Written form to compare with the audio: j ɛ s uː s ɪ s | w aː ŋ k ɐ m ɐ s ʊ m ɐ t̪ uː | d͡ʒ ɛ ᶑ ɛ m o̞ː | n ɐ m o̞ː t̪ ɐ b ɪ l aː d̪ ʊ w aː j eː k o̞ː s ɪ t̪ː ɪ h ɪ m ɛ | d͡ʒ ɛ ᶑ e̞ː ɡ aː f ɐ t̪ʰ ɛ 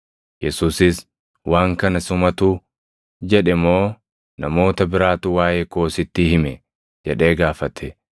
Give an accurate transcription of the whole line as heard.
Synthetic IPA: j ɛ s uː s ɪ s | w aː ŋ k ɐ n ɐ s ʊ m ɐ t̪ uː | d͡ʒ ɛ ᶑ ɛ m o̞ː | n ɐ m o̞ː t̪ ɐ b ɪ ɾ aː t̪ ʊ w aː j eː k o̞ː s ɪ t̪ː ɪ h ɪ m ɛ | d͡ʒ ɛ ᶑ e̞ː ɡ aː f ɐ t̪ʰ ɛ